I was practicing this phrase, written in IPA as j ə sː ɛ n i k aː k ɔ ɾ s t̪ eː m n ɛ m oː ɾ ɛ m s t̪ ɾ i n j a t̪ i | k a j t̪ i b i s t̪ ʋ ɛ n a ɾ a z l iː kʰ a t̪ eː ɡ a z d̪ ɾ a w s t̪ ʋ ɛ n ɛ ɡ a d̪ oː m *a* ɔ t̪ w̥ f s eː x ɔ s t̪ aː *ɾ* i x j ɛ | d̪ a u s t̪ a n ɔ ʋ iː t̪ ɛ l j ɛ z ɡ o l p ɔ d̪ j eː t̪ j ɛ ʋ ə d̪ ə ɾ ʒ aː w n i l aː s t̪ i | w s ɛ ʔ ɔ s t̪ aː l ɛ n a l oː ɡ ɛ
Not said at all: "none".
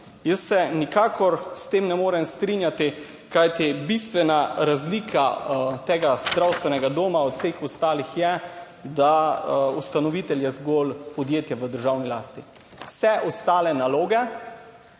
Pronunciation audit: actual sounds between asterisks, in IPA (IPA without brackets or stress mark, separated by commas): a, l